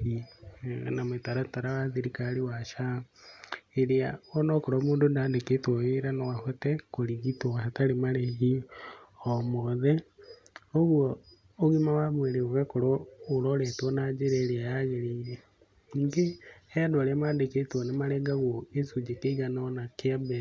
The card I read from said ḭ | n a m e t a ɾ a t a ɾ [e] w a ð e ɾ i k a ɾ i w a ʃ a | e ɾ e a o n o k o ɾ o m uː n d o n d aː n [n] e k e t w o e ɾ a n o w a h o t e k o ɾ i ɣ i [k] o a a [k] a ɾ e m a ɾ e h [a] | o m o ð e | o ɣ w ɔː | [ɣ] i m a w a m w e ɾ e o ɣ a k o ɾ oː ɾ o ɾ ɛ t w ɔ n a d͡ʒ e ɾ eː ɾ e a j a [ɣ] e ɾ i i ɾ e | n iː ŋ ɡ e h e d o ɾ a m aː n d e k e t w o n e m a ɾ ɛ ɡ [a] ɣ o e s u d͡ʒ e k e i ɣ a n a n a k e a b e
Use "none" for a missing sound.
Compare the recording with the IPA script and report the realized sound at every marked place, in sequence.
a, d, t, t, i, ɣ, ɣ, a

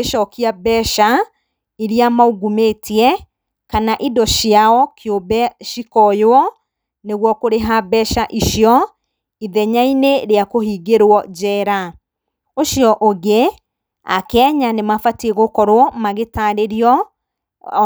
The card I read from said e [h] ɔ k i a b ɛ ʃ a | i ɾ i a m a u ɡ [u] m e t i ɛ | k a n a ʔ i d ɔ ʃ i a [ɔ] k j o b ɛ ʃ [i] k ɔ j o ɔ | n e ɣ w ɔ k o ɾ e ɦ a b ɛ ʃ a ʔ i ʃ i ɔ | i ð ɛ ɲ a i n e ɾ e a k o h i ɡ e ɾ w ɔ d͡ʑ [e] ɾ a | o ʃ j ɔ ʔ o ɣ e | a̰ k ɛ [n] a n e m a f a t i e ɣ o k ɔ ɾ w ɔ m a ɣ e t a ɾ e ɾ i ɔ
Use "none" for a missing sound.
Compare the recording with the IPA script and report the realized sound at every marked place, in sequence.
ʃ, u, ɔ, i, ɛ, ɲ

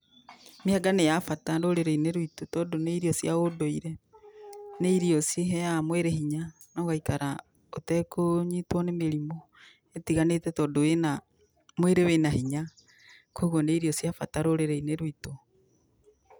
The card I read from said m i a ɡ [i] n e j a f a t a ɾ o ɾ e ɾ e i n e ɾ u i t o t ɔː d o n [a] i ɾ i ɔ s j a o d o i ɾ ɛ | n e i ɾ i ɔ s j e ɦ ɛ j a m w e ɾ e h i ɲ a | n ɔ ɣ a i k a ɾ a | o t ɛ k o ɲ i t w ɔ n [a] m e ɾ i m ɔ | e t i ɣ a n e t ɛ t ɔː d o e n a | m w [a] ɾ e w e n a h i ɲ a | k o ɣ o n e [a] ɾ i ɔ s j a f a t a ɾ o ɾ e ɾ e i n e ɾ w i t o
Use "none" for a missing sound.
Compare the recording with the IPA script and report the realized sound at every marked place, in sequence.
a, e, e, e, i

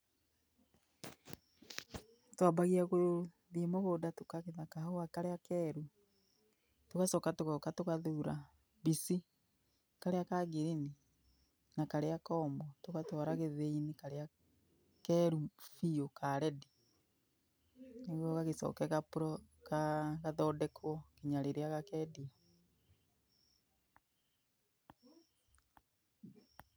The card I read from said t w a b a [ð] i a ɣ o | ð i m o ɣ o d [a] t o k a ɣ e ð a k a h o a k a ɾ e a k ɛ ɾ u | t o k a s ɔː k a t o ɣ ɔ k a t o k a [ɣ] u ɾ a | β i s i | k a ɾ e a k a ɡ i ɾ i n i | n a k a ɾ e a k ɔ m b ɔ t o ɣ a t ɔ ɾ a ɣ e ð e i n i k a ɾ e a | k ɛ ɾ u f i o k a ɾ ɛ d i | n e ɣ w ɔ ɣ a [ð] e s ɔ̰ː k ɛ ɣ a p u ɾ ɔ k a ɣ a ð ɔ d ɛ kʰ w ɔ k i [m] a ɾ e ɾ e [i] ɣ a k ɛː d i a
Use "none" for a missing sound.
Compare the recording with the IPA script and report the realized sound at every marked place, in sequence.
ɣ, a, ð, ɣ, ɲ, a

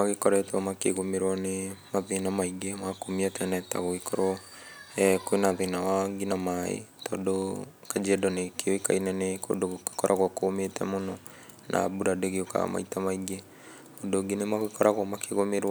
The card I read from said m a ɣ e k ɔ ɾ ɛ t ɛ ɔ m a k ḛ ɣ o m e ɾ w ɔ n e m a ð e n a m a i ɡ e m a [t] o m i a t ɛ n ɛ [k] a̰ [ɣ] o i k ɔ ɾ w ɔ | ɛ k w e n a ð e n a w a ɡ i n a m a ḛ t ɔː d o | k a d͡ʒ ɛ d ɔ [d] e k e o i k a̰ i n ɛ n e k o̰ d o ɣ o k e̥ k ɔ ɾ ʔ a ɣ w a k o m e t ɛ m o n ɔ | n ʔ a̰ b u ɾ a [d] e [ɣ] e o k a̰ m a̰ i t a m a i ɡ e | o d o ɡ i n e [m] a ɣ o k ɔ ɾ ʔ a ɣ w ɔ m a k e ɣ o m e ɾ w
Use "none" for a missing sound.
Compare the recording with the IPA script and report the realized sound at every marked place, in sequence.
k, t, ɣ, n, d, ɣ, m

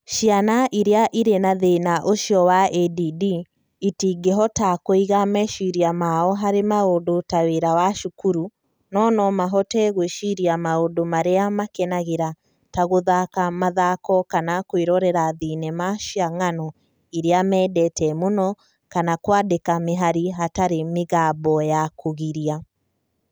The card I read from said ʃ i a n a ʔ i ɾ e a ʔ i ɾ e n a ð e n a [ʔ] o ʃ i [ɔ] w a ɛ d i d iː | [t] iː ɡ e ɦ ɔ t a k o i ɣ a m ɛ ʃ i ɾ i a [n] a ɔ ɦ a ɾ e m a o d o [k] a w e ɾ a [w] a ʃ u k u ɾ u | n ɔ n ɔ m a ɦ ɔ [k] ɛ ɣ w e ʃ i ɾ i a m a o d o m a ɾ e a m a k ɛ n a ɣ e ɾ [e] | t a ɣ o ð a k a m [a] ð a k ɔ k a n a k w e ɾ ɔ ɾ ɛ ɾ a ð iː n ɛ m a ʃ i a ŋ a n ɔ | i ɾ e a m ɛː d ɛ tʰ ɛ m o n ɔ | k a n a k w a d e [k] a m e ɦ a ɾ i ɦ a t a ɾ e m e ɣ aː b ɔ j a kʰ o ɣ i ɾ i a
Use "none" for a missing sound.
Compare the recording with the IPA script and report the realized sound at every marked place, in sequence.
ʔ, ɔ, t, m, t, w, t, a, a, k

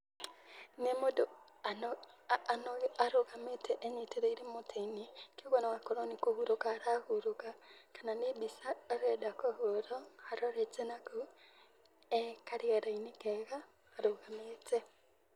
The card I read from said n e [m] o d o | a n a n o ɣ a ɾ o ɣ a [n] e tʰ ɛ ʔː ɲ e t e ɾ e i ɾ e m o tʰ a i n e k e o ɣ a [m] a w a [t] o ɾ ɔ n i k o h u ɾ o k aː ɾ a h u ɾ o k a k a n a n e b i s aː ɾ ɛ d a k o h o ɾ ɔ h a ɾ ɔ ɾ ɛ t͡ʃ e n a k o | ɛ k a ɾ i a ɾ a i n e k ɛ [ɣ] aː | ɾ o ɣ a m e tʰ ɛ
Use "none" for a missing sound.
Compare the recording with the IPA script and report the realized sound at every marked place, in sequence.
m, m, n, k, ɣ

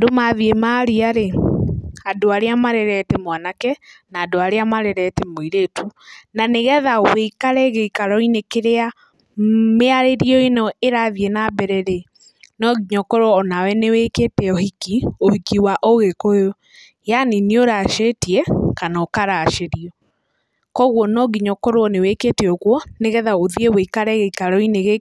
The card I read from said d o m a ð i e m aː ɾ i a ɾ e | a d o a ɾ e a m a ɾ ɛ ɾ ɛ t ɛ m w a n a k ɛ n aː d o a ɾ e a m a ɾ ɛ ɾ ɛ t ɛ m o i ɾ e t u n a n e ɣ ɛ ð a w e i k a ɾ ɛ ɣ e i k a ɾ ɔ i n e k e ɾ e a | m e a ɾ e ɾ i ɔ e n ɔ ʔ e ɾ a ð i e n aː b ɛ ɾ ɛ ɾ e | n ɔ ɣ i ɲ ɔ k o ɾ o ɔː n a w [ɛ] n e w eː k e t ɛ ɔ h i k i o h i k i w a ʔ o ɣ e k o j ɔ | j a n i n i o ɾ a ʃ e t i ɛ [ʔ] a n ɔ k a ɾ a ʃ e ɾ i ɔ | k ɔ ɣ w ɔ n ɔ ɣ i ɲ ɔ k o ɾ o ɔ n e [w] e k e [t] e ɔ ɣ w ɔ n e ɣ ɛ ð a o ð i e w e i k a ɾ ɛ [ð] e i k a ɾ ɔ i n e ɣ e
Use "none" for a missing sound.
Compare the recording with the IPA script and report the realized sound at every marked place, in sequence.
ɛ, k, w, t, ɣ

